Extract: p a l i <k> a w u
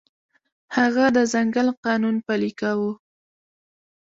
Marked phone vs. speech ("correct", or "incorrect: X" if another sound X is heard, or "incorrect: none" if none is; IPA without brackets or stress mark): correct